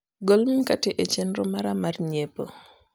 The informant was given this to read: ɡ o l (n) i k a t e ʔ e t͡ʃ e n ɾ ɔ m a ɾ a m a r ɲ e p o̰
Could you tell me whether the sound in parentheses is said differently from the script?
yes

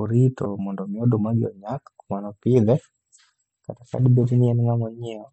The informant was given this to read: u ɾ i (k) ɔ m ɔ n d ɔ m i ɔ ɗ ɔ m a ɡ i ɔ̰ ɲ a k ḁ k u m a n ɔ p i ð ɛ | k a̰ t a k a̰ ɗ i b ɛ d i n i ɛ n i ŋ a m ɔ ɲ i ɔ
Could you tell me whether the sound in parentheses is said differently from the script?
yes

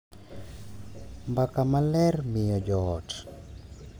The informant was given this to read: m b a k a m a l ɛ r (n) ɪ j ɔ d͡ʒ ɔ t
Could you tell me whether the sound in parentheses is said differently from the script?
yes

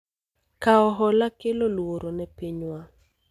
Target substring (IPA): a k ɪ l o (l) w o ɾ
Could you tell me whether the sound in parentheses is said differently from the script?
no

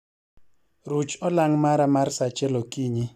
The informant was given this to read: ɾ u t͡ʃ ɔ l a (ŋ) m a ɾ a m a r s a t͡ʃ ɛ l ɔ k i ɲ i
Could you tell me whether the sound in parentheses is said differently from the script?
no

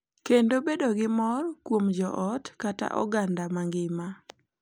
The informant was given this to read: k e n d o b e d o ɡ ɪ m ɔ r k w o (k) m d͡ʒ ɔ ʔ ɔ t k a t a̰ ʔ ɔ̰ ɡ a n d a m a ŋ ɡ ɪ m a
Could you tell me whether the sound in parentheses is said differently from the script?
yes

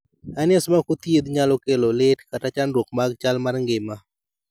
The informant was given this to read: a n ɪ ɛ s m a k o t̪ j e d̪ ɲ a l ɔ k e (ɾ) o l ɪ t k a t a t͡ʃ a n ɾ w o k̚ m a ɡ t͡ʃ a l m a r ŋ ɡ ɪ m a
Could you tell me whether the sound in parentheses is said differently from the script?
yes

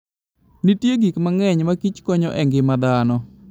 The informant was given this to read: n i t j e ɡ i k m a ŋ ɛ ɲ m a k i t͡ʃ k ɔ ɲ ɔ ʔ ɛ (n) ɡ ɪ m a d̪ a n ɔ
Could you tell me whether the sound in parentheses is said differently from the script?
yes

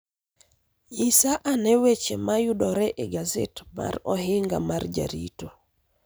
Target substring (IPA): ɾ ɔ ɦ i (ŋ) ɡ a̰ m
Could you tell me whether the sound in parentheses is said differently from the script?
no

